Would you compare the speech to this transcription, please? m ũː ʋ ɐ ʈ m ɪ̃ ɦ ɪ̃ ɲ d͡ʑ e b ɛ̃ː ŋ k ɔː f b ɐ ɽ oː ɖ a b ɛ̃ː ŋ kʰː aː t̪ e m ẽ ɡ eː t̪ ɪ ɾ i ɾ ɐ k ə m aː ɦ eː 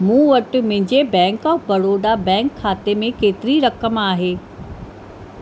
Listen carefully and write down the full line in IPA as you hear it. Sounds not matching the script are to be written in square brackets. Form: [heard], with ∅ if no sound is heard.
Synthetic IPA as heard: m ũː ʋ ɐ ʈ m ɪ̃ ɦ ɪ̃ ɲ d͡ʑ e b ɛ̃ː ŋ k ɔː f b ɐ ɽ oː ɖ a b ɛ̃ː ŋ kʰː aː t̪ e m ẽ [k] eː t̪ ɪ ɾ i ɾ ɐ k ə m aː ɦ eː

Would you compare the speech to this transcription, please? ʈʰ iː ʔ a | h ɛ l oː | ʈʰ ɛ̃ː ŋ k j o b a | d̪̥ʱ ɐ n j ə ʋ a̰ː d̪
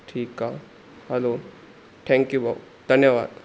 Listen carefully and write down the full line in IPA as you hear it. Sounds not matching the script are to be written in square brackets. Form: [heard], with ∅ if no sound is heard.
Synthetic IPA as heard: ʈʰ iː [k] a | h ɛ l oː | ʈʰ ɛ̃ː ŋ k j [u] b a | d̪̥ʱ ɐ n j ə ʋ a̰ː d̪

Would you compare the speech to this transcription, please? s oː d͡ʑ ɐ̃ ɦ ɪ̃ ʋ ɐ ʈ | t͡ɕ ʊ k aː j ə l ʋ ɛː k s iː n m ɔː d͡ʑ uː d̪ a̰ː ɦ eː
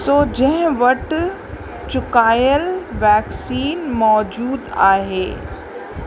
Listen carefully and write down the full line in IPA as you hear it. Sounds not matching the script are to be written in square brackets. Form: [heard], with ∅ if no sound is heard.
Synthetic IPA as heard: s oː d͡ʑ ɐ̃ ɦ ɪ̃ ʋ ɐ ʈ | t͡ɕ ʊ k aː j ə l ʋ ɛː k s iː n m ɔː d͡ʑ uː d̪ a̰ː ɦ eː

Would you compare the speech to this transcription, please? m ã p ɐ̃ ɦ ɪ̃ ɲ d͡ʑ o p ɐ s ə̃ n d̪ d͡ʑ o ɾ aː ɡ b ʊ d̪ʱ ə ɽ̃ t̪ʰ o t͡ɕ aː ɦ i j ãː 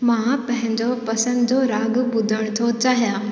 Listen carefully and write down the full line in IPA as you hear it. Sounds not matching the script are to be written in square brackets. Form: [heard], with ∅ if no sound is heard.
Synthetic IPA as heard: m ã p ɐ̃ ɦ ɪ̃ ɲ d͡ʑ o p ɐ s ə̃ n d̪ d͡ʑ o ɾ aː ɡ b ʊ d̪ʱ ə ɽ̃ t̪ʰ o t͡ɕ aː ɦ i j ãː

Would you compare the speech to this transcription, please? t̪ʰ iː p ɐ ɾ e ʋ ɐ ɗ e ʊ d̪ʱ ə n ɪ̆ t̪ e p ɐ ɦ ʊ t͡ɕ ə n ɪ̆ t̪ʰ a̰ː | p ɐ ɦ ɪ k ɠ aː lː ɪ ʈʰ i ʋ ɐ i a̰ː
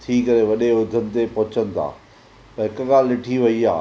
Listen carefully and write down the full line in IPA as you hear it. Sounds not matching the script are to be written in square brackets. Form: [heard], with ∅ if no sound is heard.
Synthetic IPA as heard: t̪ʰ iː [k] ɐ ɾ e ʋ ɐ ɗ e ʊ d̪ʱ ə n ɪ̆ t̪ e p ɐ ɦ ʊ t͡ɕ ə n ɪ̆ t̪ʰ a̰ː | p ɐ ɦ ɪ k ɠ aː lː ɪ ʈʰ i ʋ ɐ i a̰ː

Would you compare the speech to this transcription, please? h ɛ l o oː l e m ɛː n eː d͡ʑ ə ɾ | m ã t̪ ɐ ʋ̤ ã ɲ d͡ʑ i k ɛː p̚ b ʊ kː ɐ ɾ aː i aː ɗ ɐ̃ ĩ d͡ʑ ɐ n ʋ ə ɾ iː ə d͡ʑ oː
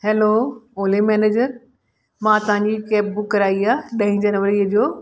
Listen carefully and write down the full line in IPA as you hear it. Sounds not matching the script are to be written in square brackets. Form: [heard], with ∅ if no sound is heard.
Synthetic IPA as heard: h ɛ l o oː l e m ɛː n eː d͡ʑ ə ɾ | m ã t̪ ɐ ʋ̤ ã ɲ d͡ʑ i k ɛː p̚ b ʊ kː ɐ ɾ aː i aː ɗ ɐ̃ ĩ d͡ʑ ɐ n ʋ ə ɾ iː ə d͡ʑ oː

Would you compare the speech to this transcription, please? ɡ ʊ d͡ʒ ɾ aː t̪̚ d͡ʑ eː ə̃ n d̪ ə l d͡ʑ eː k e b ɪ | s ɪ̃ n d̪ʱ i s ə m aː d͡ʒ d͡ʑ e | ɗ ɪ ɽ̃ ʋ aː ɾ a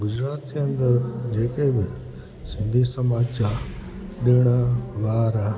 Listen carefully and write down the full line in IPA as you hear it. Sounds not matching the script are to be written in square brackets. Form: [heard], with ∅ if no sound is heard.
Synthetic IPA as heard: ɡ ʊ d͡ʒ ɾ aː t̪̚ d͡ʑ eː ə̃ n d̪ ə [ɾ] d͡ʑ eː k e b ɪ | s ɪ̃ n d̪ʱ i s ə m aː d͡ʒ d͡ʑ [a] | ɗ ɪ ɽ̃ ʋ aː ɾ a

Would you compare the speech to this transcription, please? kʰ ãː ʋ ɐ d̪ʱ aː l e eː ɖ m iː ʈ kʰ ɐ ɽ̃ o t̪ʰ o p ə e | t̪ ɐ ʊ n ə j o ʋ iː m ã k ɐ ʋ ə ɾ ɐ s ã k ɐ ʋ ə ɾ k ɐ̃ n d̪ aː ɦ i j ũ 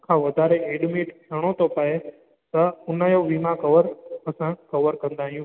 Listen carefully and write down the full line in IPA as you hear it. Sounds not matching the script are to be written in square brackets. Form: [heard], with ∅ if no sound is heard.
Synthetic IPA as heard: kʰ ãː ʋ ɐ d̪ʱ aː [ɾ] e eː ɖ m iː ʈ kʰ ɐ ɽ̃ o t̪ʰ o p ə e | t̪ ɐ ʊ n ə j o ʋ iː m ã k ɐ ʋ ə ɾ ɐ s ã k ɐ ʋ ə ɾ k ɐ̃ n d̪ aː ɦ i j ũ

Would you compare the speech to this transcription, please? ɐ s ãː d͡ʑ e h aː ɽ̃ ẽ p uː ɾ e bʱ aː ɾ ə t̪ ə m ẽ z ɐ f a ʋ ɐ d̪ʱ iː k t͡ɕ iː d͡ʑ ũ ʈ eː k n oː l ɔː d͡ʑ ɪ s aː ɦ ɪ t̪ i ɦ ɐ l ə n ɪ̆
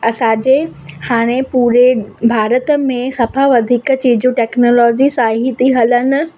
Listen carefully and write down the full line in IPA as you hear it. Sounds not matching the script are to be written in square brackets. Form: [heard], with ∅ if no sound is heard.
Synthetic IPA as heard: ɐ s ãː d͡ʑ e h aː ɽ̃ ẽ p uː ɾ e bʱ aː ɾ ə t̪ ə m ẽ [s] ɐ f a ʋ ɐ d̪ʱ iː k t͡ɕ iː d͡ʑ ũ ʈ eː k n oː l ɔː d͡ʑ [i] s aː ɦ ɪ t̪ i ɦ ɐ l ə n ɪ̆

